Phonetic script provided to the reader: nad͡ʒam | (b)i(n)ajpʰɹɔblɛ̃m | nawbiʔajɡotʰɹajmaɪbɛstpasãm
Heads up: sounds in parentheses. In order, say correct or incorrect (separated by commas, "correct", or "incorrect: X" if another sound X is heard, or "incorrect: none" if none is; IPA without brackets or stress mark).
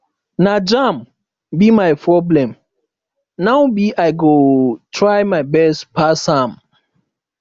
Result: correct, incorrect: m